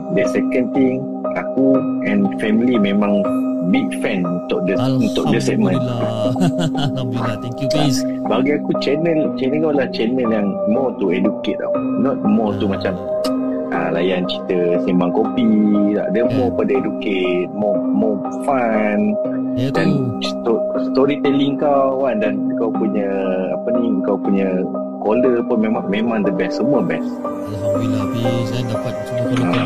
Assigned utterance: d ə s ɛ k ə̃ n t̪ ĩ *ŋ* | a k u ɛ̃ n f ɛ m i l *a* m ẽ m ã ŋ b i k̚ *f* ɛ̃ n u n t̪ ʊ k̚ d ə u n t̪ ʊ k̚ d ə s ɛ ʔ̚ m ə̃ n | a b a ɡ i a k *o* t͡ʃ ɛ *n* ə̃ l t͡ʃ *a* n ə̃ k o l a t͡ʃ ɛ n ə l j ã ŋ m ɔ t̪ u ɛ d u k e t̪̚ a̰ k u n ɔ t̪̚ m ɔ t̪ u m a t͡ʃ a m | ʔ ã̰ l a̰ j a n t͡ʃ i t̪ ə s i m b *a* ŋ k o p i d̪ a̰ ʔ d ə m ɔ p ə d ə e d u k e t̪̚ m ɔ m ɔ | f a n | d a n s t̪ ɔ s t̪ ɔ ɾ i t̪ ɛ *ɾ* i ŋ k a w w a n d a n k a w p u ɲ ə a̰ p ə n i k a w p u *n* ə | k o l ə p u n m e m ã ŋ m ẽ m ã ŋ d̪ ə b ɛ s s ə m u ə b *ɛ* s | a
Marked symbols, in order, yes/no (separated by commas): yes, no, yes, no, yes, no, yes, no, no, yes